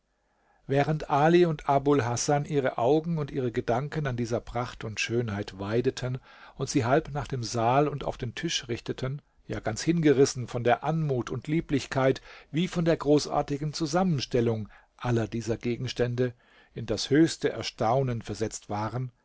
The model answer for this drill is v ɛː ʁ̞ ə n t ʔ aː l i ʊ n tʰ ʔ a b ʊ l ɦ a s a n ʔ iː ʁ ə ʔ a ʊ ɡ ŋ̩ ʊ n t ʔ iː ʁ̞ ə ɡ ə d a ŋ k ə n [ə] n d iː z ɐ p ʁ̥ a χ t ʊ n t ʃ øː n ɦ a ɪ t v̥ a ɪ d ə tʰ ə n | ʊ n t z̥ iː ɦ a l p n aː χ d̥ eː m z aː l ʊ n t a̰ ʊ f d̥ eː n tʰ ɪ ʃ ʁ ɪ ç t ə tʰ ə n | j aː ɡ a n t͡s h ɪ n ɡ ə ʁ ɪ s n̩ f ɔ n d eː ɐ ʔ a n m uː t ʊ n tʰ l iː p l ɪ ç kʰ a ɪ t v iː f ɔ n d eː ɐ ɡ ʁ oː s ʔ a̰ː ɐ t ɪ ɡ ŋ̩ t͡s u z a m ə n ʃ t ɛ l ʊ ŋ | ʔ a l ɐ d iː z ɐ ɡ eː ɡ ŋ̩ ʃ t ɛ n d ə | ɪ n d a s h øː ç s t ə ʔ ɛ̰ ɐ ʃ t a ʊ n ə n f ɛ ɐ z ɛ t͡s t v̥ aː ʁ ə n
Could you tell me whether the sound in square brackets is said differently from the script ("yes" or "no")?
yes